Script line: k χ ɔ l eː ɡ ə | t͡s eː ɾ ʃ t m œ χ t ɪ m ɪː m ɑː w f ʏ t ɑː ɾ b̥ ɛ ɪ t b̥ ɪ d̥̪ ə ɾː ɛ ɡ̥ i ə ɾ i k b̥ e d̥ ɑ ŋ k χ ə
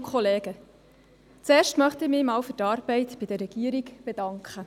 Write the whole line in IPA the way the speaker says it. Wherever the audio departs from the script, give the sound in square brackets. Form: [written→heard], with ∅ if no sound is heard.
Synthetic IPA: k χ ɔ l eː ɡ ə | t͡s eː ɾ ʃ t m œ χ t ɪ m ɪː m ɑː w f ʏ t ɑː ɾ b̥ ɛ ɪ t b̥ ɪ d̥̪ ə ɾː ɛ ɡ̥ i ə ɾ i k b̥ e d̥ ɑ ŋ k χ ə